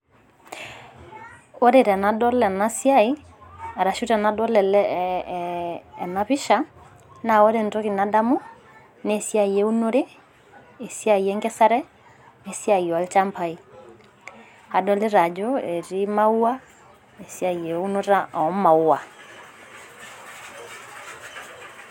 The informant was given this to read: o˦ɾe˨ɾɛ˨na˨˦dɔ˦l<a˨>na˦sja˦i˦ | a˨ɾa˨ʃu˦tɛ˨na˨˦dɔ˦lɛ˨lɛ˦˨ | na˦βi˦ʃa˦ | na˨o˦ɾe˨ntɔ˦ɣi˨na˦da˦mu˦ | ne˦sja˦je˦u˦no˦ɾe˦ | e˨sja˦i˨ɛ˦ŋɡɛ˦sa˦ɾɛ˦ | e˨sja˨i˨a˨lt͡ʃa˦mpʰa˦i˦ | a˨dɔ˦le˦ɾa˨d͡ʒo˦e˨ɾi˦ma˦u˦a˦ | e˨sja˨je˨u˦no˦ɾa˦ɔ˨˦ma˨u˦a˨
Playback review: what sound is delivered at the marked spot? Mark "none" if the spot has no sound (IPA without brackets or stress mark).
ɛ˨